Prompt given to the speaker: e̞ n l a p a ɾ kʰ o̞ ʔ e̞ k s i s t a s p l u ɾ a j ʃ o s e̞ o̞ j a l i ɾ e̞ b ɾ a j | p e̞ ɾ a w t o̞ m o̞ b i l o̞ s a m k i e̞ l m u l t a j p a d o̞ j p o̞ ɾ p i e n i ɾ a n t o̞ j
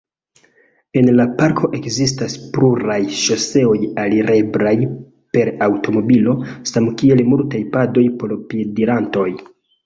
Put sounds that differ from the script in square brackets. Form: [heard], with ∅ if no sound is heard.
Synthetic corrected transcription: e̞ n l a p a ɾ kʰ o̞ ʔ e̞ k [z] i s t a s p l u ɾ a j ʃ o s e̞ o̞ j a l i ɾ e̞ b ɾ a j | p e̞ ɾ a w t o̞ m o̞ b i l o̞ s a m k i e̞ l m u l t a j p a d o̞ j p o̞ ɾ p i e [d] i ɾ a n t o̞ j